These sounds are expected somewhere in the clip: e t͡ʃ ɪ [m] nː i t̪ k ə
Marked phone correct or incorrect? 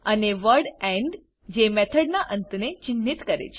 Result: incorrect